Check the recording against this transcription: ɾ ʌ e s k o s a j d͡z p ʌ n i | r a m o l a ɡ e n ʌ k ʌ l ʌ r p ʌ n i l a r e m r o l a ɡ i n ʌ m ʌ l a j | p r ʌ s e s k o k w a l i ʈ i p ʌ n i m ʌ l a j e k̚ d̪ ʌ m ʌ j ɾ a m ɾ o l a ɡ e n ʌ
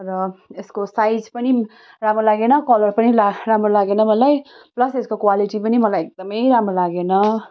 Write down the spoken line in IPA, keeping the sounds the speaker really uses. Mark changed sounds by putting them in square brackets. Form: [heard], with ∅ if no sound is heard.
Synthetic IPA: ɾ ʌ e s k o s a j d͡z p ʌ n i | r a m o l a ɡ e n ʌ k ʌ l ʌ r p ʌ n i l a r [a] m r o l a ɡ [e] n ʌ m ʌ l a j | p [l] ʌ s e s k o k w a l i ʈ i p ʌ n i m ʌ l a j e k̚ d̪ ʌ m ʌ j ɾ a m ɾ o l a ɡ e n ʌ